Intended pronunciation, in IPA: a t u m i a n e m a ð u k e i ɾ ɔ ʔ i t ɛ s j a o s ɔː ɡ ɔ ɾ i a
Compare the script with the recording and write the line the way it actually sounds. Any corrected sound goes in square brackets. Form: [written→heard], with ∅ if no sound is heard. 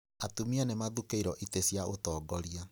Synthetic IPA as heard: a t u m i a n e m a ð u k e i ɾ ɔ ʔ i t [ɛ→e] s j a o [s→t] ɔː ɡ ɔ ɾ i a